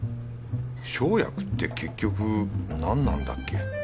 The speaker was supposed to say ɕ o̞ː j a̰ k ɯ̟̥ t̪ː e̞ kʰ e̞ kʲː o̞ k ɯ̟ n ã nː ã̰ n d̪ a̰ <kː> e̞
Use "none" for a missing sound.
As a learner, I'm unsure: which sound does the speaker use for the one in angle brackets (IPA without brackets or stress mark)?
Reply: kː